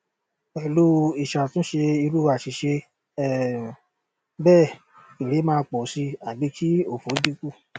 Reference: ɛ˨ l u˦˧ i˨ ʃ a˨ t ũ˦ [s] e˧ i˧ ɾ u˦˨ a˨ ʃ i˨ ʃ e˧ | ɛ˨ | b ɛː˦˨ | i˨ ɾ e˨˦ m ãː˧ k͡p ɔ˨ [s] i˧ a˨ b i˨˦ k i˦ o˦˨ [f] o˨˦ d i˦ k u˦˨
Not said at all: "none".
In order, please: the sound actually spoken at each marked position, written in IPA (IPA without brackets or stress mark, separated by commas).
ʃ, s, f